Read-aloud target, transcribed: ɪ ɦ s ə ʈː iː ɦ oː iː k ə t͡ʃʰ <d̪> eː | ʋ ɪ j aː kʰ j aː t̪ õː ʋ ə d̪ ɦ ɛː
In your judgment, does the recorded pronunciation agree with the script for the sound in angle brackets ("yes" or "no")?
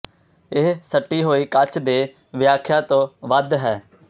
yes